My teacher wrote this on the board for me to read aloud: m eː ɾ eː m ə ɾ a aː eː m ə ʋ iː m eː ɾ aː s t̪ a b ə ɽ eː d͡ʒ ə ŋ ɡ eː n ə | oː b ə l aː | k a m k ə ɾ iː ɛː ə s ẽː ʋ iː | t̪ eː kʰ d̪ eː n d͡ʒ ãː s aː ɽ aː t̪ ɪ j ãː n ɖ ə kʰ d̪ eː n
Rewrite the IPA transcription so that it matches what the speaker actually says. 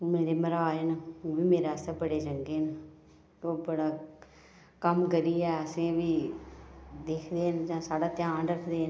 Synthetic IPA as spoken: m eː ɾ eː m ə ɾ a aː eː n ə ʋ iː m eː ɾ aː s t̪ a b ə ɽ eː d͡ʒ ə ŋ ɡ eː n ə | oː b ə ɽ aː | k ə m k ə ɾ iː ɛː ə s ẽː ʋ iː | d̪ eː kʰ d̪ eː n d͡ʒ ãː s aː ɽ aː t̪ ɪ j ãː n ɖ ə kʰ d̪ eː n